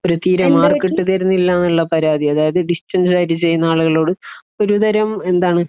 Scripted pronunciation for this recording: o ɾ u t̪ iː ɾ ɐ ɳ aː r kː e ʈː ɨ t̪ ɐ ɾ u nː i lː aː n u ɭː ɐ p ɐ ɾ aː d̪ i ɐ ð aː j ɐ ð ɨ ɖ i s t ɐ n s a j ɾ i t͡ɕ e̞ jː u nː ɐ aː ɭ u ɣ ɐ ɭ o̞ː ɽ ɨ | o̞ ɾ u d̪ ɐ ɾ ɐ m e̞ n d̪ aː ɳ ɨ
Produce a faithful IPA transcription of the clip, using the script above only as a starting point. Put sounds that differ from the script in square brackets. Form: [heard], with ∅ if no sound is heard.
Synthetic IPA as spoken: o ɾ u t̪ iː ɾ ɐ [m] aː r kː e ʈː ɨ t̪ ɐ ɾ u nː i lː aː n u ɭː ɐ p ɐ ɾ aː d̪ i ɐ ð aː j ɐ ð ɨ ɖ i s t ɐ n s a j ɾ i t͡ɕ e̞ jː u nː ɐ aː ɭ u ɣ ɐ ɭ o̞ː ɽ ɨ | o̞ ɾ u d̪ ɐ ɾ ɐ m e̞ n d̪ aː ɳ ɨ

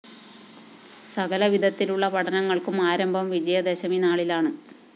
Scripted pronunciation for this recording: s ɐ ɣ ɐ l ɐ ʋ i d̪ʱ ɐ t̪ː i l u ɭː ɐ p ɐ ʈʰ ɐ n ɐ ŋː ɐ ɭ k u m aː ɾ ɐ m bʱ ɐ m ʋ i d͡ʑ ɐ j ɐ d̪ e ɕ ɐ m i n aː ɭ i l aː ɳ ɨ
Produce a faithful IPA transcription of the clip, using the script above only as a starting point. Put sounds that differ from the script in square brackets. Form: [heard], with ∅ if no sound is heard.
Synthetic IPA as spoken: s ɐ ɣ ɐ l ɐ ʋ i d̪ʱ ɐ t̪ː i l u ɭː ɐ p ɐ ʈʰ ɐ n ɐ ŋː ɐ ɭ k u m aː ɾ ɐ m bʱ ɐ m ʋ i d͡ʑ ɐ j ɐ d̪ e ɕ ɐ m i n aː ɭ i l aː ɳ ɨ

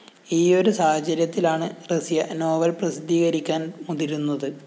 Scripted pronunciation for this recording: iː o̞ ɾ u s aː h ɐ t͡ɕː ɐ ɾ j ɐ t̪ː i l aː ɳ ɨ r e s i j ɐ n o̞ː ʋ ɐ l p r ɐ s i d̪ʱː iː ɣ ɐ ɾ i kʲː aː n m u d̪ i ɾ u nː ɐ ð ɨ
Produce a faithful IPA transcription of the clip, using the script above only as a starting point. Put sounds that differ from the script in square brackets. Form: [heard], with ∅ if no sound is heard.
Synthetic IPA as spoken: iː o̞ ɾ u s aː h ɐ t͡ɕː ɐ ɾ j ɐ t̪ː i l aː ɳ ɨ r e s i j ɐ n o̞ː ʋ ɐ l p r ɐ s i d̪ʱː iː ɣ ɐ ɾ i kʲː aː n m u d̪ i ɾ u nː ɐ ð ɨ

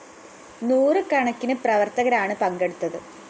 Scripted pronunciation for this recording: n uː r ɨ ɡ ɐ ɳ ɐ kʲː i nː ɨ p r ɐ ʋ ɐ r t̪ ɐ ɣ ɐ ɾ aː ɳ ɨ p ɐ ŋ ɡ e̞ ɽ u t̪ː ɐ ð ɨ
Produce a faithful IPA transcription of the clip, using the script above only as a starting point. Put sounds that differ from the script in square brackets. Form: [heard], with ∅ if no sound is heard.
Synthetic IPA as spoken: n uː r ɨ [k] ɐ ɳ ɐ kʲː i [n] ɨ p r ɐ ʋ ɐ r t̪ ɐ ɣ ɐ ɾ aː ɳ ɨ p ɐ ŋ ɡ e̞ ɽ u t̪ː ɐ ð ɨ

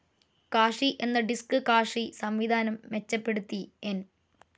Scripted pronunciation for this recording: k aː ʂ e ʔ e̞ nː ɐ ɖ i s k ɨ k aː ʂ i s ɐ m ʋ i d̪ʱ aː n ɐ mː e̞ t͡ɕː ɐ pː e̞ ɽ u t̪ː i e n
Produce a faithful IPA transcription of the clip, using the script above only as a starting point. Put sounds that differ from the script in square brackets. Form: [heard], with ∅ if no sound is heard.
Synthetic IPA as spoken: k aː ʂ [i] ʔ e̞ nː ɐ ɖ i s k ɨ k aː ʂ i s ɐ m ʋ i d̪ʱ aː n ɐ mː e̞ t͡ɕː ɐ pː e̞ ɽ u t̪ː i e n

